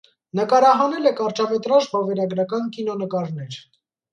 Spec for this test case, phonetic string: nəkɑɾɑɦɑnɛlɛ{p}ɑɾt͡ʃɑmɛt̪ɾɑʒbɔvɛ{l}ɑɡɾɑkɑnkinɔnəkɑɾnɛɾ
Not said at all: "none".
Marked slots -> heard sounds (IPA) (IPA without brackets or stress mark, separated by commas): k, ɾ